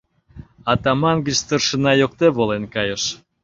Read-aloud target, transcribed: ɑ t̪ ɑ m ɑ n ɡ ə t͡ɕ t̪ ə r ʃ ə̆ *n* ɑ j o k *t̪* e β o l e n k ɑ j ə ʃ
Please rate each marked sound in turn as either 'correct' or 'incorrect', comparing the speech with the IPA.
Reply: correct, correct

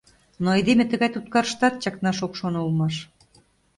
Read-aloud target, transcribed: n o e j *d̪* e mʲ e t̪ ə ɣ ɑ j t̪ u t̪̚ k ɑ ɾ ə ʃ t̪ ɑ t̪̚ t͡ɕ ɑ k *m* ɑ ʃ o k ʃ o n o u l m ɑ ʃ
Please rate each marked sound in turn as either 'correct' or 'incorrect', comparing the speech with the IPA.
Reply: correct, incorrect

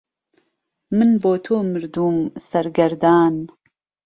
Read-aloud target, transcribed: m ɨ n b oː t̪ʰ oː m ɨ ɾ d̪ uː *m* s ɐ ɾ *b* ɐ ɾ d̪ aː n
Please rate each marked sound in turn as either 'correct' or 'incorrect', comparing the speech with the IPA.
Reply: correct, incorrect

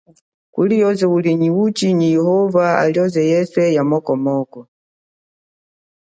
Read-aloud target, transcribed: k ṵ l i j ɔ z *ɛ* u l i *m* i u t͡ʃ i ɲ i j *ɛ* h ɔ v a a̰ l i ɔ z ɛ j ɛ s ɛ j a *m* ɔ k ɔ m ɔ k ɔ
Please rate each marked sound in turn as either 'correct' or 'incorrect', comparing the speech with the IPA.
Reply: correct, incorrect, correct, correct

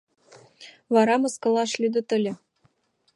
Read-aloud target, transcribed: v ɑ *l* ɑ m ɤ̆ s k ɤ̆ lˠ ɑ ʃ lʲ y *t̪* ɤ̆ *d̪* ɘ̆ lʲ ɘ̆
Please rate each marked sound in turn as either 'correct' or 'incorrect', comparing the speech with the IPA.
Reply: incorrect, incorrect, incorrect

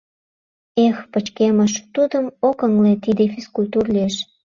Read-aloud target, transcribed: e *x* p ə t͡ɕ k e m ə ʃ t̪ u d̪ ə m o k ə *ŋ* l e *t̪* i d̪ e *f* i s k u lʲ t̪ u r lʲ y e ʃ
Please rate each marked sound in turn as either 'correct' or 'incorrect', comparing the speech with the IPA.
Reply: correct, correct, correct, correct

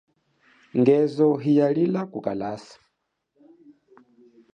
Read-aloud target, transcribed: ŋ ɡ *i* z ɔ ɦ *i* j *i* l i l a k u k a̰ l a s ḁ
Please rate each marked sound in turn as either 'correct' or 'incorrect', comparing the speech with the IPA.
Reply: incorrect, correct, incorrect

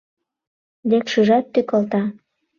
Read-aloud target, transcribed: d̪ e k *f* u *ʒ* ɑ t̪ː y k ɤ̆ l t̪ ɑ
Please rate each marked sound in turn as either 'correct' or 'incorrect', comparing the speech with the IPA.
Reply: incorrect, correct

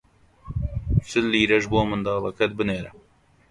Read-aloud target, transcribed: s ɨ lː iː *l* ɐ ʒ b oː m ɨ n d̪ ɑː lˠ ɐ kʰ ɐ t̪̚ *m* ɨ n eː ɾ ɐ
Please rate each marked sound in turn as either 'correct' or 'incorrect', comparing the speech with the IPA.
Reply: incorrect, incorrect

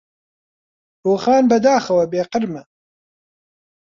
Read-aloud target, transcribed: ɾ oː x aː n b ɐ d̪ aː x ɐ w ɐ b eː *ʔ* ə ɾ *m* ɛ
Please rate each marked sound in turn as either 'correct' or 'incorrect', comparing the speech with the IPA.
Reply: incorrect, correct

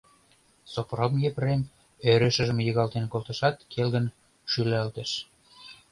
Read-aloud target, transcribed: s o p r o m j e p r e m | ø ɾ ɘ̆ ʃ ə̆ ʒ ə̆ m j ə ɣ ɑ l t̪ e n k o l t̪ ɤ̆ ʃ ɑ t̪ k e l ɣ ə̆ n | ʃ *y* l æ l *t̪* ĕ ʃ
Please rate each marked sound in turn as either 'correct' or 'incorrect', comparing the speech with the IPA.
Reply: correct, correct

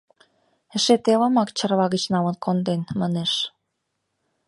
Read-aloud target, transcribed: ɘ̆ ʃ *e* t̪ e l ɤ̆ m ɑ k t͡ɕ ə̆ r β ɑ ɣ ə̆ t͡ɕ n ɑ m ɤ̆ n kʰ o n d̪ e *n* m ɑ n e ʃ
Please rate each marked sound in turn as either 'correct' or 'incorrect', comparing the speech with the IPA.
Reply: correct, correct

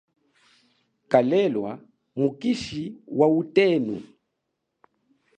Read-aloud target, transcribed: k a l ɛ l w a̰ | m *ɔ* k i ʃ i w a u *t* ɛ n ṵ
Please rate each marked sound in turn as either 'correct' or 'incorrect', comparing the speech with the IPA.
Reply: incorrect, correct

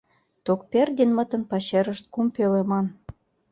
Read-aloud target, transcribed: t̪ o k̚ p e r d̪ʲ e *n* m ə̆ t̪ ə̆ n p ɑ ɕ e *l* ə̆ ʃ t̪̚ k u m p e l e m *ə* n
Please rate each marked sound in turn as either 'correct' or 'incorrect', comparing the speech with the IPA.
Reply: correct, incorrect, incorrect

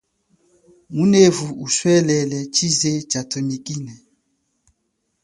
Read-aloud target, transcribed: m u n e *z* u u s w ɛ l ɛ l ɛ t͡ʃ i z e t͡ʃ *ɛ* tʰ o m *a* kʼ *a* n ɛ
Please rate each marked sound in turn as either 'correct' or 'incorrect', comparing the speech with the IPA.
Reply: incorrect, incorrect, incorrect, incorrect

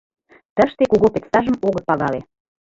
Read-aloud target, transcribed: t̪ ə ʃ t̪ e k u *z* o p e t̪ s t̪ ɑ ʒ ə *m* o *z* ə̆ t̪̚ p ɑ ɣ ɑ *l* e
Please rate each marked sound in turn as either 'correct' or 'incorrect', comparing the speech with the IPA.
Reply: incorrect, correct, incorrect, correct

